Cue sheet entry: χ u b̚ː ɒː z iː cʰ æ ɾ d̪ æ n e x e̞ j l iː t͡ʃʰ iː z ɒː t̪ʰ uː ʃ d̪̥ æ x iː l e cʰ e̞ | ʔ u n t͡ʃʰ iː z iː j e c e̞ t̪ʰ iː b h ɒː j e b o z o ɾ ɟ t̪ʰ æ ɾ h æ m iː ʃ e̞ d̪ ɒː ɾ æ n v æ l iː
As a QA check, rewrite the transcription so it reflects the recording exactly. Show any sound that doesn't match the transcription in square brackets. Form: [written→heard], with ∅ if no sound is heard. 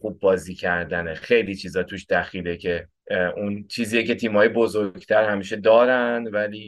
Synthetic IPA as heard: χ u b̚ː ɒː z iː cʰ æ ɾ d̪ æ n e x e̞ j l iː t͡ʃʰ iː z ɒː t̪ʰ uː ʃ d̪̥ æ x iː l e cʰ e̞ | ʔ u n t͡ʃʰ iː z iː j e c e̞ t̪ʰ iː [b→m] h ɒː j e b o z o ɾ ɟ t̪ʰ æ ɾ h æ m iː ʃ e̞ d̪ ɒː ɾ æ n v æ l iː